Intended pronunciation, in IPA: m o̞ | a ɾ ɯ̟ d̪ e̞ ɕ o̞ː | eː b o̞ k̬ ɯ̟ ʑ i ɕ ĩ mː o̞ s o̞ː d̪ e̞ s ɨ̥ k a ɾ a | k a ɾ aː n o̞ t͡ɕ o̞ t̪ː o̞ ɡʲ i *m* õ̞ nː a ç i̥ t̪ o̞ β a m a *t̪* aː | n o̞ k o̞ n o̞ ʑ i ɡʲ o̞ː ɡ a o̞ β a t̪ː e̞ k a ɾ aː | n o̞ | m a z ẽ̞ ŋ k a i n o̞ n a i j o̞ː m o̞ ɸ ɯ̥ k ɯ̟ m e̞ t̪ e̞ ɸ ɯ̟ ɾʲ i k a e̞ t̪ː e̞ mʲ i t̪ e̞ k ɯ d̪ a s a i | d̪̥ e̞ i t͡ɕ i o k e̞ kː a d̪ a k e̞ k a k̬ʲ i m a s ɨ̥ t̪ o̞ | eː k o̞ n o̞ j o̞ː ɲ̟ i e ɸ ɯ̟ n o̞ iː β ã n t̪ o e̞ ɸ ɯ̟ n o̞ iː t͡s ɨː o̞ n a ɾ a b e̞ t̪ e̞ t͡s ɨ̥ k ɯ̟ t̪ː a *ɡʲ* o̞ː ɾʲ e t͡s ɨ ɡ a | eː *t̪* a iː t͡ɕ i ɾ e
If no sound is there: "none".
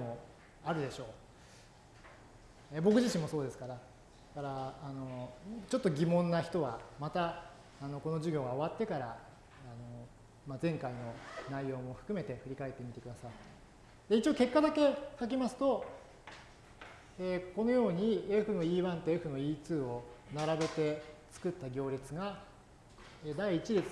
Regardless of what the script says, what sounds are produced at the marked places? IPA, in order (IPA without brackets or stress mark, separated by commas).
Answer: m, t̪, ɡʲ, d̪